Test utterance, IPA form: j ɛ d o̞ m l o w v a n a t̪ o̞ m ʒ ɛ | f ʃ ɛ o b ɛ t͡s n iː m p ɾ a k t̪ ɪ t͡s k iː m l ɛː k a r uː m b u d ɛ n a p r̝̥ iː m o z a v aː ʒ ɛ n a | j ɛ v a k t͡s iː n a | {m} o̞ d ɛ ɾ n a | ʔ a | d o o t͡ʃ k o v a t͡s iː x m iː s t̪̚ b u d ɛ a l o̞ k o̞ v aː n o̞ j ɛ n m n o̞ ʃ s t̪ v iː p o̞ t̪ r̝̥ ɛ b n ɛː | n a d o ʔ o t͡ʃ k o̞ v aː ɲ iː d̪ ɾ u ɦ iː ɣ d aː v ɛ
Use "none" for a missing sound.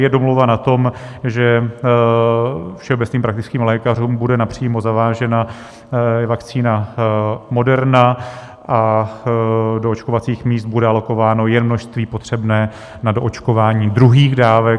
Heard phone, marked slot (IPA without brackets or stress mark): m